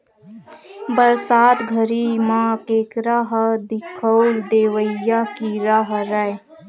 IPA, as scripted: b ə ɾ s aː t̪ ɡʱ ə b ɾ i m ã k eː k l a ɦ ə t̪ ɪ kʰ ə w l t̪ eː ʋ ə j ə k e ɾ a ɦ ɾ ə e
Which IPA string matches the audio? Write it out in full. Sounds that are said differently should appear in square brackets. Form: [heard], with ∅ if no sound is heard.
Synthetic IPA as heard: b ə ɾ s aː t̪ ɡʱ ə [∅] ɾ i m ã k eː k [ɾ] a ɦ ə [d̪] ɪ kʰ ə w l [d̪] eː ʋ ə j [a] k [i] ɾ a ɦ ɾ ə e